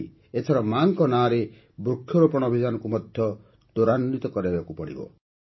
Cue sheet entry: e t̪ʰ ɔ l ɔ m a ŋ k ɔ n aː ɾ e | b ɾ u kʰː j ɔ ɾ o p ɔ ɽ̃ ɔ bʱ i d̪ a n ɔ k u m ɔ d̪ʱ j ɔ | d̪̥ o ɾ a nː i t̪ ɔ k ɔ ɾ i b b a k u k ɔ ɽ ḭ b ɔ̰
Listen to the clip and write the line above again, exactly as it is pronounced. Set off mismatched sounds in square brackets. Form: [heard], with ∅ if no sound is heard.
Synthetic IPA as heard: e t̪ʰ ɔ [ɾ] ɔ m a ŋ k ɔ n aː ɾ e | b ɾ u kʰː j ɔ ɾ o p ɔ ɽ̃ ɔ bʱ i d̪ a n ɔ k u m ɔ d̪ʱ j ɔ | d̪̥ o ɾ a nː i t̪ ɔ k ɔ ɾ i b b a k u [p] ɔ ɽ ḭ b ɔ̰